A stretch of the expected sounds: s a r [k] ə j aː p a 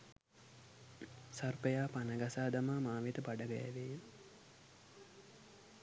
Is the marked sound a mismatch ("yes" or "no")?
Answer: yes